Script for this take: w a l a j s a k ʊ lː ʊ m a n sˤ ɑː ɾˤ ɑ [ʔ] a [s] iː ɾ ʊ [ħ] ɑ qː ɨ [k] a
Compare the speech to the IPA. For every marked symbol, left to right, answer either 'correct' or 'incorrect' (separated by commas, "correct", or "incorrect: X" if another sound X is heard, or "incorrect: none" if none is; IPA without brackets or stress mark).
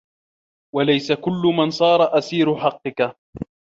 correct, correct, correct, correct